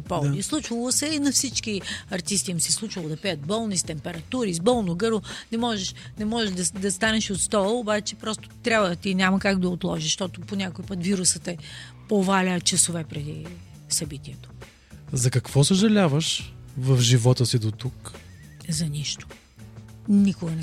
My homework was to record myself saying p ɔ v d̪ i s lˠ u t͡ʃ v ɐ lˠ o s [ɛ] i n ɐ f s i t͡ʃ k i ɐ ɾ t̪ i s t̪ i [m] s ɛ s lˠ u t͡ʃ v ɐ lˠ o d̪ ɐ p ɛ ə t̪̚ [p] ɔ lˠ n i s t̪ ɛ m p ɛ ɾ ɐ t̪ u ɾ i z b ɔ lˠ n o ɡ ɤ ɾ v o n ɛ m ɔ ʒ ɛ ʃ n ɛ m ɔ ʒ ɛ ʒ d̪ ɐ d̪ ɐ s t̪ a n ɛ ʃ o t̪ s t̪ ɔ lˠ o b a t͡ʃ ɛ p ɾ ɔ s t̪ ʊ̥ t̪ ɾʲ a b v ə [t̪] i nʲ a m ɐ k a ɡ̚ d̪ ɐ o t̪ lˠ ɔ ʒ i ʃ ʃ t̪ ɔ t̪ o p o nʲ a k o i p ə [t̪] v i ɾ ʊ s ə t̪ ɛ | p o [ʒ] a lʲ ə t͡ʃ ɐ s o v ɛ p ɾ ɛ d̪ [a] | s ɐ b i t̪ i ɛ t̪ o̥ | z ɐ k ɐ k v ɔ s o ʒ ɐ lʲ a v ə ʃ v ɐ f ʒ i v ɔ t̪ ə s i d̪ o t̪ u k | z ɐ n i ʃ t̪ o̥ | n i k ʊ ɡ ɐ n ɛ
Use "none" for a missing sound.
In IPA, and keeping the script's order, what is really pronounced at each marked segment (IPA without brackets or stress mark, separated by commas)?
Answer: ɛ, m, b, t̪, t̪, v, i